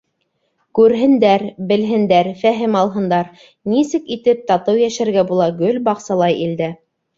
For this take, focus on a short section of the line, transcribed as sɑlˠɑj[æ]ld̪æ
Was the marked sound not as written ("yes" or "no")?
yes